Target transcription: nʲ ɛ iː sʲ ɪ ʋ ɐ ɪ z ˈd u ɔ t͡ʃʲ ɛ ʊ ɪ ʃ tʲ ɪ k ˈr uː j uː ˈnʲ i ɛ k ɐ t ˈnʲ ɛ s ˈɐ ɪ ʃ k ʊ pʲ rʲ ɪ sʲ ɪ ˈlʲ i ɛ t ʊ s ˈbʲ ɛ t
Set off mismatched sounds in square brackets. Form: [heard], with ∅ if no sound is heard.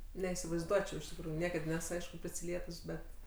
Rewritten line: nʲ ɛ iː sʲ ɪ ʋ ɐ ɪ z ˈd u ɔ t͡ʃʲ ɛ ʊ ɪ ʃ tʲ ɪ k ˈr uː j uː ˈnʲ i ɛ k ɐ t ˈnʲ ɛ s ˈɐ ɪ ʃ k ʊ pʲ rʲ ɪ sʲ ɪ ˈlʲ i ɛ t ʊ s ˈbʲ ɛ t